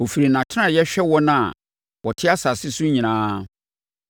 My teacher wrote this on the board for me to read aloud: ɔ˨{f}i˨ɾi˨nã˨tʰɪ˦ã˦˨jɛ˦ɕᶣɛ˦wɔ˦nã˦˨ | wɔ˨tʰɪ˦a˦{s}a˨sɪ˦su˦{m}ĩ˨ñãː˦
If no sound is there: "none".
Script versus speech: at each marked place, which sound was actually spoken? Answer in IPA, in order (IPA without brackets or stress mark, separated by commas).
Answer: f, s, ɲ